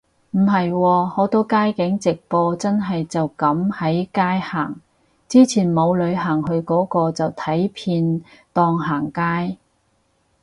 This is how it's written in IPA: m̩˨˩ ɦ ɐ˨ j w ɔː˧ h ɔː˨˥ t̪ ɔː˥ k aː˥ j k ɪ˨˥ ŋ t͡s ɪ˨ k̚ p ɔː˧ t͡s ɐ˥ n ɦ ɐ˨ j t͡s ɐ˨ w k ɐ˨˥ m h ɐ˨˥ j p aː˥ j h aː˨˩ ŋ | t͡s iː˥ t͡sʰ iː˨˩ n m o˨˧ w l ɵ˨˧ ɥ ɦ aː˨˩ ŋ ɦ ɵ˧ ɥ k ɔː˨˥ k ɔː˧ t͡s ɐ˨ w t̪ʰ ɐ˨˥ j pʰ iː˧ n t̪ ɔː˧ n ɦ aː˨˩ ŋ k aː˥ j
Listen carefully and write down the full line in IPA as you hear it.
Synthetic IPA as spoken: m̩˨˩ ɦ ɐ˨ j w ɔː˧ h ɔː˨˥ t̪ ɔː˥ k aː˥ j k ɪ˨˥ ŋ t͡s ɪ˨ k̚ p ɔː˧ t͡s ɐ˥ n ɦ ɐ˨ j t͡s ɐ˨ w k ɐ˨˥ m h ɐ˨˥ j k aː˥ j h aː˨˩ ŋ | t͡s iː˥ t͡sʰ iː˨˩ n m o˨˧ w l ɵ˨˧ ɥ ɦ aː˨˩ ŋ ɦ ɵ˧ ɥ k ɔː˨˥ k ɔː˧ t͡s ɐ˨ w t̪ʰ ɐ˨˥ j pʰ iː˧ n t̪ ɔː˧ ŋ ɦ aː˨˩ ŋ k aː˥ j